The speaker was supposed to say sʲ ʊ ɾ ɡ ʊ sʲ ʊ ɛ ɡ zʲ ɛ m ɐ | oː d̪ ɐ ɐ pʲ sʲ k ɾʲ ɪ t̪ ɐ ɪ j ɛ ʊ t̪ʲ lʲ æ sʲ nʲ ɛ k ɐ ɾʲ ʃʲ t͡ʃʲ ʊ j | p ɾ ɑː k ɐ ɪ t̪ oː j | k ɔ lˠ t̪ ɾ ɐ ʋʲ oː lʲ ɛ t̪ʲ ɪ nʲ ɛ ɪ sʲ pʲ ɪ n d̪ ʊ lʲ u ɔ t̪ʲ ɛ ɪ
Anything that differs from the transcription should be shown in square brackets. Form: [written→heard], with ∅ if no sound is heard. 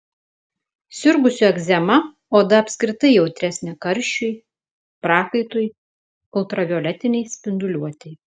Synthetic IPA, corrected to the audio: sʲ ʊ ɾ ɡ ʊ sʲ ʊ ɛ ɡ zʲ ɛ m ɐ | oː d̪ ɐ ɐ pʲ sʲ k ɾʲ ɪ t̪ ɐ ɪ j ɛ ʊ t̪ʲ [lʲ→ɾʲ] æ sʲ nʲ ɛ k ɐ ɾʲ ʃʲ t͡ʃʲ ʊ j | p ɾ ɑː k ɐ ɪ t̪ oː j | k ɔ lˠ t̪ ɾ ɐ ʋʲ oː lʲ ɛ t̪ʲ ɪ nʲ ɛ ɪ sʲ pʲ ɪ n d̪ ʊ lʲ u ɔ t̪ʲ ɛ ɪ